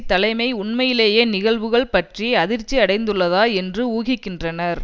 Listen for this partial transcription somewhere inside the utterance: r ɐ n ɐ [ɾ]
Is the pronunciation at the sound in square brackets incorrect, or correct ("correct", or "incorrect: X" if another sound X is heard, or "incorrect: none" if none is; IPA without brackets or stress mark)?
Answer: correct